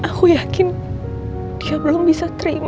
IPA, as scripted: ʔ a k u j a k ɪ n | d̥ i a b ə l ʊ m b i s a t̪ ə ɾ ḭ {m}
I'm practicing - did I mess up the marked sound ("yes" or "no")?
no